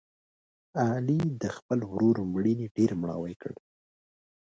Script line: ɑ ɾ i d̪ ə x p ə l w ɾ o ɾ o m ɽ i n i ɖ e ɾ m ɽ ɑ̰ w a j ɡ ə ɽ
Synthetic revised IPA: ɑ l i d̪ ə x p ə l w ɾ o ɾ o m ɽ i n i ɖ e ɾ m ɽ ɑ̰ w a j k ə ɽ